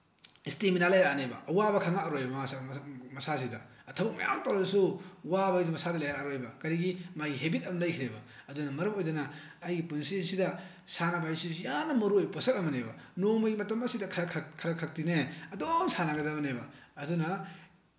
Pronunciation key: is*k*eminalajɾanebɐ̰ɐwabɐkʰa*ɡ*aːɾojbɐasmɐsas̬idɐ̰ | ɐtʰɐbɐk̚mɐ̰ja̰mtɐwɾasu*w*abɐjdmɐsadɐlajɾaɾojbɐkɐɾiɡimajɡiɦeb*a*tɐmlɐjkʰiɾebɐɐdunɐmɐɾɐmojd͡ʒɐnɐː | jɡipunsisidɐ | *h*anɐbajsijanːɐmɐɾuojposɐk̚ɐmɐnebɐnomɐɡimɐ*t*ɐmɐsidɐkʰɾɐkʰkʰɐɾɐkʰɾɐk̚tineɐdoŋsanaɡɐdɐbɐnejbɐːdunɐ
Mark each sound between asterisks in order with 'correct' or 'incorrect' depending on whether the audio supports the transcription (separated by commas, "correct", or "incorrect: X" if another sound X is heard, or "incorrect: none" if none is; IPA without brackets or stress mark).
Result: incorrect: t, incorrect: ŋ, correct, incorrect: i, incorrect: s, correct